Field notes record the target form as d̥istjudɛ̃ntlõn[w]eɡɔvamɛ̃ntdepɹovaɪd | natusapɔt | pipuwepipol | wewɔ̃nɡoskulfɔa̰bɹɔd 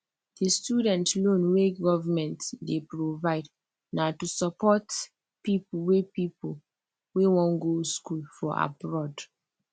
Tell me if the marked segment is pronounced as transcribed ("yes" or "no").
yes